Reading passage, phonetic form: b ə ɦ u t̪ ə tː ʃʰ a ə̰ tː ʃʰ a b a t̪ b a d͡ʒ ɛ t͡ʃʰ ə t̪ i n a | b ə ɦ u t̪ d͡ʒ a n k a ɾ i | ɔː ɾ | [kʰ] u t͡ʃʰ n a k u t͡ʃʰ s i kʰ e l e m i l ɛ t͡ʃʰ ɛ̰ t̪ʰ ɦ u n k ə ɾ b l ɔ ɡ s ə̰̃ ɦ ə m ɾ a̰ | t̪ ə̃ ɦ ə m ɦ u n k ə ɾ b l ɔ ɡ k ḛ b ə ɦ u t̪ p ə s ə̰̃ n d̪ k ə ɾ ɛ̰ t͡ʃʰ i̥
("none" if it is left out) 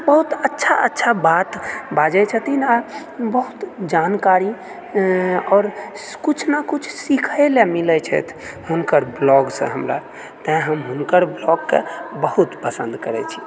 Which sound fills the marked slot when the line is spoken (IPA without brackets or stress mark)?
k